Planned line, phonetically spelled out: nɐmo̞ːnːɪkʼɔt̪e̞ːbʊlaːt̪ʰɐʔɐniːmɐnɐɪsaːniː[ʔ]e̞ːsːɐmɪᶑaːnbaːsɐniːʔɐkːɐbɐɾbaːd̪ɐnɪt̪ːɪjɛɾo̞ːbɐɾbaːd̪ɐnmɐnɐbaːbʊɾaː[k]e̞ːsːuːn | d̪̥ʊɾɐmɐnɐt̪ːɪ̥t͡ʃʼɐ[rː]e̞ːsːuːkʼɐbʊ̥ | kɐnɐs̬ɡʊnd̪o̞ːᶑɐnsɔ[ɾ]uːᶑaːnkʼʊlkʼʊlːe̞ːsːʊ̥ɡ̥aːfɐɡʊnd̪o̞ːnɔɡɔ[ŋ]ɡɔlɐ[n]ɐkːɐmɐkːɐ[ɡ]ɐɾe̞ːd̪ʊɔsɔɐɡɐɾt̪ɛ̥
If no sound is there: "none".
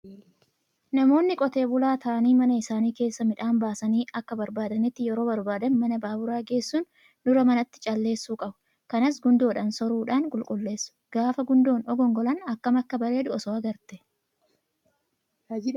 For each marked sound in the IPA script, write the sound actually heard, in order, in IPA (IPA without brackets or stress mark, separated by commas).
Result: k, ɡ, lː, ɾ, ŋ, n, b